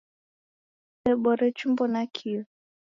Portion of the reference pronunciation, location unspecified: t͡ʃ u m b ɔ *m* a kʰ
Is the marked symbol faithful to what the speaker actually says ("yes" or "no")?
no